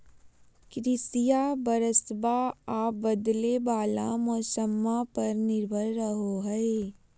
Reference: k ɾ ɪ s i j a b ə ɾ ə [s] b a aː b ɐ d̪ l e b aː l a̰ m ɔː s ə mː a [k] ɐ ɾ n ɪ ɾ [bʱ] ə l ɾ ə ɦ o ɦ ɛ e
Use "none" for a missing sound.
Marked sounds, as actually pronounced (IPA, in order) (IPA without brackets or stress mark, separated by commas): s, p, bʱ